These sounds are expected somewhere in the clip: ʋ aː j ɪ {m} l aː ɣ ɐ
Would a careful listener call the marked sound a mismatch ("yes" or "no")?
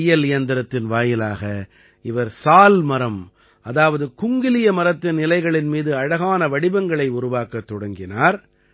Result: yes